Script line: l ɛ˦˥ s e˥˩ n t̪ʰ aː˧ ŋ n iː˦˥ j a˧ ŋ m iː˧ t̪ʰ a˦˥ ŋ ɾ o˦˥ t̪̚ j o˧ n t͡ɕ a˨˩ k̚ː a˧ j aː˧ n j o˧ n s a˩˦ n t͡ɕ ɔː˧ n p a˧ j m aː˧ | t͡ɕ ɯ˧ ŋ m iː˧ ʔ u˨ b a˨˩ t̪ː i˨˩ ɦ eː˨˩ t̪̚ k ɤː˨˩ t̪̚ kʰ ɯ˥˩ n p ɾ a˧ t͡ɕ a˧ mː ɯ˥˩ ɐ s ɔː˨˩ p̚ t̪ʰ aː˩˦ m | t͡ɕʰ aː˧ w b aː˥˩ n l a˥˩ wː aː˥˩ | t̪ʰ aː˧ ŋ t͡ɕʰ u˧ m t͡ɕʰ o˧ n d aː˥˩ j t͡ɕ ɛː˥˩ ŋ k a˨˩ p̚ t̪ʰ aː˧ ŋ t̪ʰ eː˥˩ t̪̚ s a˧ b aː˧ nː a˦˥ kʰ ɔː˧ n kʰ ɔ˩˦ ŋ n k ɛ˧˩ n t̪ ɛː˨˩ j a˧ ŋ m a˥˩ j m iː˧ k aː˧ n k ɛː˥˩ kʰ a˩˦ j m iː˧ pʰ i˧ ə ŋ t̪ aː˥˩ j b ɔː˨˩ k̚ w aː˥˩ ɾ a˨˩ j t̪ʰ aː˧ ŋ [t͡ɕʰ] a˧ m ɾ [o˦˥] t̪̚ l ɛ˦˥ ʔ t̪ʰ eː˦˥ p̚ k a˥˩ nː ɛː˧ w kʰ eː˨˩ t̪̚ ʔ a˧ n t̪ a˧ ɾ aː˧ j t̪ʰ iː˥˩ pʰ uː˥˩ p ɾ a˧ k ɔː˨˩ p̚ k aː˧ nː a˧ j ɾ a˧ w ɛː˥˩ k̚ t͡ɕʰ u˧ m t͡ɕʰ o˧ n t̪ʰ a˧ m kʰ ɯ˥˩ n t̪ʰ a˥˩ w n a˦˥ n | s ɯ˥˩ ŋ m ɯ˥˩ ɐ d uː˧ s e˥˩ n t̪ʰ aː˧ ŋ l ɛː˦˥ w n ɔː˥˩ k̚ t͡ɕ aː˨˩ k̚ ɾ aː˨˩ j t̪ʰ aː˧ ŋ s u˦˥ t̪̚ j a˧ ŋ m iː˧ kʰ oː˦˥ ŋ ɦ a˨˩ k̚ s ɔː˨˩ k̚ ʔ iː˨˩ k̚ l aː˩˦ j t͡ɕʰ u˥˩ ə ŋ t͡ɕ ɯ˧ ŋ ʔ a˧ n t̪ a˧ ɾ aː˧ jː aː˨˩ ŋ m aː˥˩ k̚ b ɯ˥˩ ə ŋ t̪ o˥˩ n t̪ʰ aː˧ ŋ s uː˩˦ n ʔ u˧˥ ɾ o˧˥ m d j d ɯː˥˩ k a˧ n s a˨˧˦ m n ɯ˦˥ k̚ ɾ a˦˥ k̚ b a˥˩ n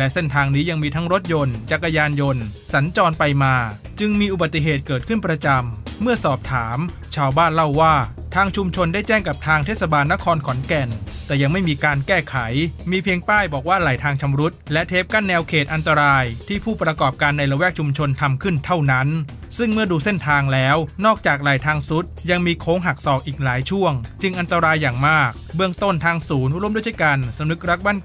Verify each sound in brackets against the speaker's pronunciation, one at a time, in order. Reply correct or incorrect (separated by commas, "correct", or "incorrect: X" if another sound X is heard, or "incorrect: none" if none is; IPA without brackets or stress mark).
correct, incorrect: u˦˥